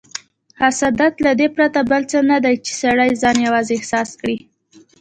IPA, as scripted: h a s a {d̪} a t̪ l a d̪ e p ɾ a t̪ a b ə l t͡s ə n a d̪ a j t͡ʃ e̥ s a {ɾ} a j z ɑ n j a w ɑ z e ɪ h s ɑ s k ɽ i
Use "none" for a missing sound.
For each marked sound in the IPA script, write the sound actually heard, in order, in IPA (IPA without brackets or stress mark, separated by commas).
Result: d̪, ɽ